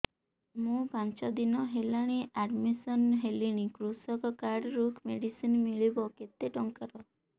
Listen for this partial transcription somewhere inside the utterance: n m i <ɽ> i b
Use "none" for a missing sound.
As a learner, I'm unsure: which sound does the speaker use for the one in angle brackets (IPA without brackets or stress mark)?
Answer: ɭ